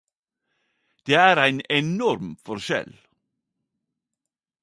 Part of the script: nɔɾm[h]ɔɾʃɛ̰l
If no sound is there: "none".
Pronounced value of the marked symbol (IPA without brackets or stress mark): f